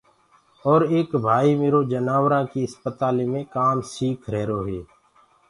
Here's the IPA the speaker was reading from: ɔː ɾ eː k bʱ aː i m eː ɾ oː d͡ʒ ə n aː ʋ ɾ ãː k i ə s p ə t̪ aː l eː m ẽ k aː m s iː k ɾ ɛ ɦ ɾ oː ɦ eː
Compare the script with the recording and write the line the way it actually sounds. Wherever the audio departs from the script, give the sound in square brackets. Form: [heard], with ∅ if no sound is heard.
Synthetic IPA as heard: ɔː ɾ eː k bʱ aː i m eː ɾ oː d͡ʒ ə n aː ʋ ɾ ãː k i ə s p ə t̪ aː l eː m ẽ k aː m s iː [kʰ] ɾ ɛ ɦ ɾ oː ɦ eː